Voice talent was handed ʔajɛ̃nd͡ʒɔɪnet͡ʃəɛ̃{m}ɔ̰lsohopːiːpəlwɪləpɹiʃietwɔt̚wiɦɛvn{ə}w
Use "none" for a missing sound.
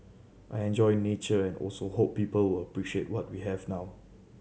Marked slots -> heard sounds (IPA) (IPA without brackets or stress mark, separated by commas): n, a